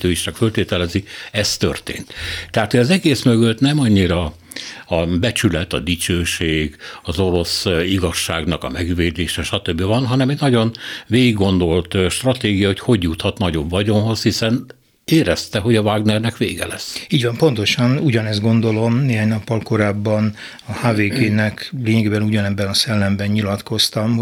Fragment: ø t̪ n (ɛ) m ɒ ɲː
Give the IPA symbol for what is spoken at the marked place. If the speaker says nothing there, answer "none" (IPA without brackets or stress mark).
ɛ